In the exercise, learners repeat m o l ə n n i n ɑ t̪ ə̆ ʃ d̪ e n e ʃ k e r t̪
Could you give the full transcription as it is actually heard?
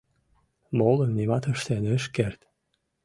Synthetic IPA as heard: m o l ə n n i m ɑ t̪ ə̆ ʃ t̪ e n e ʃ k e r t̪